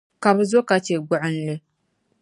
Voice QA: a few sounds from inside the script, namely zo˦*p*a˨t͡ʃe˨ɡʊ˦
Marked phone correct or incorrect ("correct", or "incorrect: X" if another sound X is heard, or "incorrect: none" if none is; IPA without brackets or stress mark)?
incorrect: k